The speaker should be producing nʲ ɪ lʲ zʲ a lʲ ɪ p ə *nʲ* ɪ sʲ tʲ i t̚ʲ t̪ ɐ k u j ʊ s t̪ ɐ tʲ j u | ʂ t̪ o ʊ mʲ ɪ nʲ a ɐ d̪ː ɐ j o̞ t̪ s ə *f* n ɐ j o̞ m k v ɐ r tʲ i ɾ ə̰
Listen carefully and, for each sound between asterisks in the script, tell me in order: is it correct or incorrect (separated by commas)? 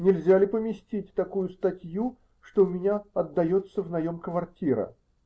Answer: incorrect, incorrect